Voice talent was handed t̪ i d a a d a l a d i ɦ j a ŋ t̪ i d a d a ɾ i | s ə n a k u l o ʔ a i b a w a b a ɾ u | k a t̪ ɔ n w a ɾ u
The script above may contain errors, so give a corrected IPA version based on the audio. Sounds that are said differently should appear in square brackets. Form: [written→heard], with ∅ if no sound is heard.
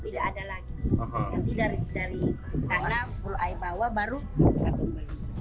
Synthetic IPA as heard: t̪ i d a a d a l a [d→ɡ] i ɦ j a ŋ t̪ i d a d a ɾ i | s [ə→a] n a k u l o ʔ a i b a w a b a ɾ u | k a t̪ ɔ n [w→b] a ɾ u